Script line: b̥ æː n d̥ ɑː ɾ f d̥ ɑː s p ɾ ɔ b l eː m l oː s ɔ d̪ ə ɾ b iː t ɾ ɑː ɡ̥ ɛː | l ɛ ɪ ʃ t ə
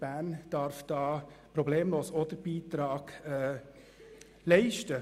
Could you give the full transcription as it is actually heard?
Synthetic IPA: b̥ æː n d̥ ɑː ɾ f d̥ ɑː p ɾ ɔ b l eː m l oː s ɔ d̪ ə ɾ b iː t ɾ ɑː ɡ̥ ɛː | l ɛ ɪ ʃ t ə

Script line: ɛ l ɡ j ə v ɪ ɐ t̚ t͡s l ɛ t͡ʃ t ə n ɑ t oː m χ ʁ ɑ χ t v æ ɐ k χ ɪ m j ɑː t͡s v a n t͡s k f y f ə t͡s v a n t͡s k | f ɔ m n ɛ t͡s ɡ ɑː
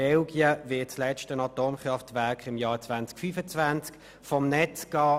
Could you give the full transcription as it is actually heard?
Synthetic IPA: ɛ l ɡ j ə v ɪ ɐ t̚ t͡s l ɛ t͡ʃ t ə n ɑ t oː m χ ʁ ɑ f t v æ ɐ k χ ɪ m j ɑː t͡s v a n t͡s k f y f ə t͡s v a n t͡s k | f ɔ m n ɛ t͡s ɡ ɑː

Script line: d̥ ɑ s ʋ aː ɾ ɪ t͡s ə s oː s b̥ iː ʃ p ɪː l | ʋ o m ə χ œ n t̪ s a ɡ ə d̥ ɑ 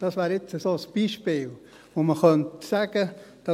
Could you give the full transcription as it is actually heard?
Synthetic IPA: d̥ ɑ s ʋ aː ɾ ɪ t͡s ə s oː s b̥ iː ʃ p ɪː l | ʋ o m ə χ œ n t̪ s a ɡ ə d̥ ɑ

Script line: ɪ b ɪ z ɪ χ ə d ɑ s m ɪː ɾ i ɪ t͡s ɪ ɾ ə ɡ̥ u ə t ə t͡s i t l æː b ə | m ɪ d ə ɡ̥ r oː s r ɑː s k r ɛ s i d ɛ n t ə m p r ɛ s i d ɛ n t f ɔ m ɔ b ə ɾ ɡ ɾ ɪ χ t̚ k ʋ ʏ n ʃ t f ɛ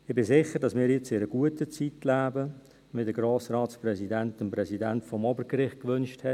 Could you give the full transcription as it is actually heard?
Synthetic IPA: ɪ b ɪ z ɪ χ ə d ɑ s m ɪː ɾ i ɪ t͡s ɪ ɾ ə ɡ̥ u ə t ə t͡s i t l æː b ə | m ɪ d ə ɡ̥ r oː s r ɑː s p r ɛ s i d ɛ n t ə m p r ɛ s i d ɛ n t f ɔ m ɔ b ə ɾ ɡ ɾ ɪ χ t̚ k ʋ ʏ n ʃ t h ɛ

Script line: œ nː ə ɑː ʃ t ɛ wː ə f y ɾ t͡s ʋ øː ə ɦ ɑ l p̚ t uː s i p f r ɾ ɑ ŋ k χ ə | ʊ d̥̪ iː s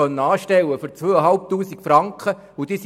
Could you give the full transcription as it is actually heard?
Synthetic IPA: œ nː ə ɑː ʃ t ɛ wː ə f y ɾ t͡s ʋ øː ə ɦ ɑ l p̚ t uː s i k f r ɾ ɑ ŋ k χ ə | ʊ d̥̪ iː s

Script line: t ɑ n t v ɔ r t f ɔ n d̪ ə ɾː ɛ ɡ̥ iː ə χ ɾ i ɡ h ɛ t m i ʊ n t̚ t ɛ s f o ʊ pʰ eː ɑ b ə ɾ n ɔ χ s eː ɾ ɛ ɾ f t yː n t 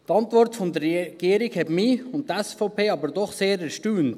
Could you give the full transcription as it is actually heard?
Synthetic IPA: t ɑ n t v ɔ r t f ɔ n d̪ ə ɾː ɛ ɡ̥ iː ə ɾ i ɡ h ɛ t m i ʊ n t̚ t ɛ s f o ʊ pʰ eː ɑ b ə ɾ d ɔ χ s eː ɾ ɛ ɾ ʃ t yː n t

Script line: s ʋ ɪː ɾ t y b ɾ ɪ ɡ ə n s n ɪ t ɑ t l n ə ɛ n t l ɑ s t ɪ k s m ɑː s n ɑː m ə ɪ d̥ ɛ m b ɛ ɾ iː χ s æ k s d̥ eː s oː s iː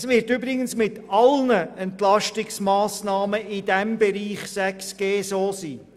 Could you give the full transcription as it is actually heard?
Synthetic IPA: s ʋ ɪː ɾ t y b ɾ ɪ ɡ ə n s m ɪ t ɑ l n ə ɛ n t l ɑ ʃ t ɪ k s m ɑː s n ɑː m ə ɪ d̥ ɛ m b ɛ ɾ iː χ s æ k s ɡ̥ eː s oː s iː

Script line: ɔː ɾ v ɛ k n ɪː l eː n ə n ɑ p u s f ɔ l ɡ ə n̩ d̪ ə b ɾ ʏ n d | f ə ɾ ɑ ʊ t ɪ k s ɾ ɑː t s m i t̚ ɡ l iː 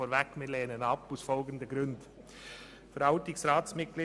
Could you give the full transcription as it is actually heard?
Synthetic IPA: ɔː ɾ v ɛ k m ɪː l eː n ə n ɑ p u s f ɔ l ɡ ə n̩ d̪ ə ɡ ɾ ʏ n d | f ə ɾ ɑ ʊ t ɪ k s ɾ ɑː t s m ɪ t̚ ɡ l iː

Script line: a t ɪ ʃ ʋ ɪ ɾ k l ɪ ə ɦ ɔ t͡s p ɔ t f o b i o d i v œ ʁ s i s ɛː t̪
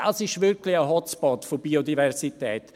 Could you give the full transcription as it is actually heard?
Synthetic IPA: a s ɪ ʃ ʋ ɪ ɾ k l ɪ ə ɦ ɔ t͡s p ɔ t f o b i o d i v ɛ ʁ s i t ɛː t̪

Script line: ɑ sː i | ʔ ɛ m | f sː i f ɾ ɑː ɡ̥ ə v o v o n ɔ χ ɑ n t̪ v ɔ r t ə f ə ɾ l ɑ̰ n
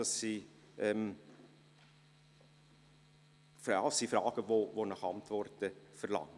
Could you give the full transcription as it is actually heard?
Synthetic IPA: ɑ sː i | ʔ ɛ m | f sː i f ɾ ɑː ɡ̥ ə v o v o n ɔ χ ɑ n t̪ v ɔ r t ə f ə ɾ l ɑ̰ ŋ

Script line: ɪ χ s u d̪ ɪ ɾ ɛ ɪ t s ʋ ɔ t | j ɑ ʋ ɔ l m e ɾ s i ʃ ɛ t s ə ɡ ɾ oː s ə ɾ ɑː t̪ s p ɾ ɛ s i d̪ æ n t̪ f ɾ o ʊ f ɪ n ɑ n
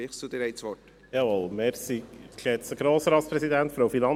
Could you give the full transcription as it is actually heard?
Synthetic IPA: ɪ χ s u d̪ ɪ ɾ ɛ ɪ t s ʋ ɔ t | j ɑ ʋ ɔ l m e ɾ s i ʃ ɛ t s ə ɡ ɾ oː s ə ɾ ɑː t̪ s p ɾ ɛ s i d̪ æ n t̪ f ɾ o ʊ f i n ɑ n

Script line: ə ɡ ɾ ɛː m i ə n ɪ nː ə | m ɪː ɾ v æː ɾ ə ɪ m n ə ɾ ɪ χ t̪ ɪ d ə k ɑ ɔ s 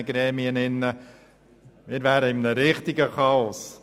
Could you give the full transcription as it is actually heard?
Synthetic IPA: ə ɡ ɾ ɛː m i ə n ɪ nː ə | m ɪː ɾ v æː ɾ ə ɪ m n ə ɾ ɪ χ t̪ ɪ ɡ ə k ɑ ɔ s

